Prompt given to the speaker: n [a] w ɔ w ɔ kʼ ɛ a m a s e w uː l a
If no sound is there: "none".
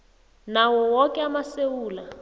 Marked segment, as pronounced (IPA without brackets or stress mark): a